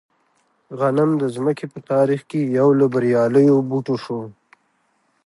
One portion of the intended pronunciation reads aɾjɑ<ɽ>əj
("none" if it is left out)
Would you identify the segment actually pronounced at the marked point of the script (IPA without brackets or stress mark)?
l